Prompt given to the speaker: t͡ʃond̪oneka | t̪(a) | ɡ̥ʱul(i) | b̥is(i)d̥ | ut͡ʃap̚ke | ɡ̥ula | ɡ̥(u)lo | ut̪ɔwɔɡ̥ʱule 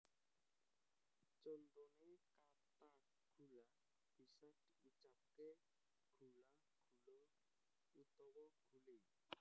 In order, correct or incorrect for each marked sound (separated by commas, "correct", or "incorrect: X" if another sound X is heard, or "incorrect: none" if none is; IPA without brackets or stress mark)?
correct, incorrect: a, incorrect: a, correct